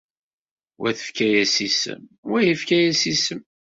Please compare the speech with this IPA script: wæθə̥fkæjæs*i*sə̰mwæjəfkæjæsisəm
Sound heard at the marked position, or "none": i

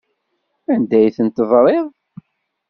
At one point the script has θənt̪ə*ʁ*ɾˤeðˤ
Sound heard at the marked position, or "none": v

